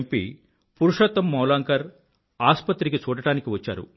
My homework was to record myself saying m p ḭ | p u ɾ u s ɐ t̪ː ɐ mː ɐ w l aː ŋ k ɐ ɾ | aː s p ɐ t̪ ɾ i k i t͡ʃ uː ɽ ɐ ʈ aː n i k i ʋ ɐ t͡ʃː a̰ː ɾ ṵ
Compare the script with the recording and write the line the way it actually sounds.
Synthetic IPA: m p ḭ | p u ɾ u ʂ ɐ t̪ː ɐ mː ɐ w l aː ŋ k ɐ ɾ | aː s p ɐ t̪ ɾ i k i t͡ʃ uː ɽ ɐ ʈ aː n i k i ʋ ɐ t͡ʃː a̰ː ɾ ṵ